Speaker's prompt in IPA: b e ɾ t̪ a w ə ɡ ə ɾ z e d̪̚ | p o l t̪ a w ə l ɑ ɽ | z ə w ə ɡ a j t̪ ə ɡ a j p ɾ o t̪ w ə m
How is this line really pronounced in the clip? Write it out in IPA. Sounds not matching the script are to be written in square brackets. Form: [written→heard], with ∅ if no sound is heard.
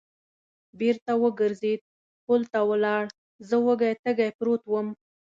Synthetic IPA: b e ɾ t̪ a w ə ɡ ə ɾ z e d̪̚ | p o l t̪ a w ə l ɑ ɽ | z ə w ə ɡ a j t̪ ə ɡ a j p ɾ o t̪ w ə m